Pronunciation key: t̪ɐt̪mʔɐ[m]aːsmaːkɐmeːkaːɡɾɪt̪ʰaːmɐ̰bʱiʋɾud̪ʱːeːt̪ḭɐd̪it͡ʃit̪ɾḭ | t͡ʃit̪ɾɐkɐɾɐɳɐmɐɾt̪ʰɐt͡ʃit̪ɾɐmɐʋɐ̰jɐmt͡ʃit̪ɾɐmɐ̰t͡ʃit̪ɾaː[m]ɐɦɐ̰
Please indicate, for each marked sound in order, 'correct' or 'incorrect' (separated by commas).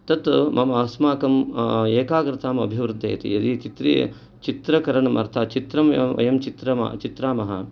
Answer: correct, correct